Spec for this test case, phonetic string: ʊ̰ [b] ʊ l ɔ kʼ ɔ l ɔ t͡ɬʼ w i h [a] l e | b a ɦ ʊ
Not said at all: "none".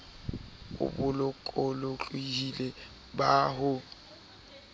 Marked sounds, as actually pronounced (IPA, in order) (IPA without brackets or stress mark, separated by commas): b, i